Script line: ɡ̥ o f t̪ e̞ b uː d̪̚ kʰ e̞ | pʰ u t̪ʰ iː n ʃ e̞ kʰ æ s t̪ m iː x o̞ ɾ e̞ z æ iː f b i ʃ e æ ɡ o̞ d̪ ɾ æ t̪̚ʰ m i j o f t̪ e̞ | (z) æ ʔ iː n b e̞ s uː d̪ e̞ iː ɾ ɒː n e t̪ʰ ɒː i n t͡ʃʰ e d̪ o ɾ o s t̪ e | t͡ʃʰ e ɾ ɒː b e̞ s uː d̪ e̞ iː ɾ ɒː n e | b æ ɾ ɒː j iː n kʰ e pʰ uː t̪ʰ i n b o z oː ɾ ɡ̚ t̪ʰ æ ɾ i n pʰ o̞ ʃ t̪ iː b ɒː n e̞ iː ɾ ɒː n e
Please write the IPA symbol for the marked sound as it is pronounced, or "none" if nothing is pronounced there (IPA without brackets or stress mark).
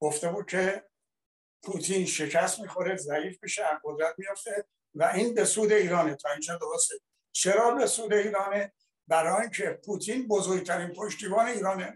v